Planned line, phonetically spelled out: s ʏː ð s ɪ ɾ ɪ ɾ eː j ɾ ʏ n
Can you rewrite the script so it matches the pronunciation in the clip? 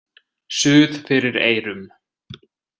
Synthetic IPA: s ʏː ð f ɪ ɾ ɪ ɾ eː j ɾ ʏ m